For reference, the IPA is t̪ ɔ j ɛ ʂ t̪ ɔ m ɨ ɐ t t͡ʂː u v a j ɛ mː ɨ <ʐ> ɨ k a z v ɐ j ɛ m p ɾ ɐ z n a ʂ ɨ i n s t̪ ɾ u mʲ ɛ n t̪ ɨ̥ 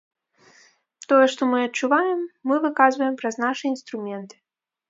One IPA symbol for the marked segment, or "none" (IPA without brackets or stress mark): v